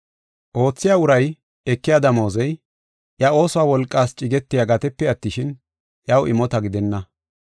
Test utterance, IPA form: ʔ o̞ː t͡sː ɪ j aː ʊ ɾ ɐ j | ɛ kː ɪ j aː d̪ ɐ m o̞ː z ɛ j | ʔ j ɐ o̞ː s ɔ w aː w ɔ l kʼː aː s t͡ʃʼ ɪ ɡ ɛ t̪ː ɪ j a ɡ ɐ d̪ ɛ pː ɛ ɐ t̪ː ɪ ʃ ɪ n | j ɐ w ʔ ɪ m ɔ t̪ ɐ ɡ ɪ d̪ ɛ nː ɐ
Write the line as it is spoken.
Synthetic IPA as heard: ʔ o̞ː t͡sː ɪ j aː ʊ ɾ ɐ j | ɛ kː ɪ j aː d̪ ɐ m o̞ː z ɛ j | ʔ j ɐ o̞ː s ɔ w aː w ɔ l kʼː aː s t͡ʃʼ ɪ ɡ ɛ t̪ː ɪ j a ɡ ɐ t̪ ɛ pː ɛ ɐ t̪ː ɪ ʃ ɪ n | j ɐ w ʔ ɪ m ɔ t̪ ɐ ɡ ɪ d̪ ɛ nː ɐ